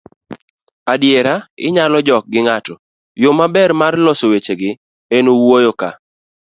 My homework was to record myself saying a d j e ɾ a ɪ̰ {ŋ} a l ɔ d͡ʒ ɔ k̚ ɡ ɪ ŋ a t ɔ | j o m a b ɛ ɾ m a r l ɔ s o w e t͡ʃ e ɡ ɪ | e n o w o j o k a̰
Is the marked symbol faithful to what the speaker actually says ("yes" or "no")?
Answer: no